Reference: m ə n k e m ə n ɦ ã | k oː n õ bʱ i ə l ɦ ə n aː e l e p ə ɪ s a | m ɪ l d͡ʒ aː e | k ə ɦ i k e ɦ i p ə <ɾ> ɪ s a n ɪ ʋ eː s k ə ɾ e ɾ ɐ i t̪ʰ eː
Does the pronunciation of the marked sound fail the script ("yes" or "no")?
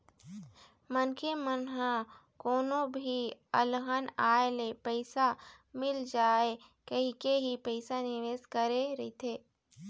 yes